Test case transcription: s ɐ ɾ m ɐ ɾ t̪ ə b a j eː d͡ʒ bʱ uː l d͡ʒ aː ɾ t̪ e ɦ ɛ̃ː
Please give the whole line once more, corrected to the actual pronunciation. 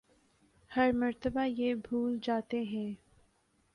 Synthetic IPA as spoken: h ɐ ɾ m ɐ ɾ t̪ ə b a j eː bʱ uː l d͡ʒ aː t̪ e ɦ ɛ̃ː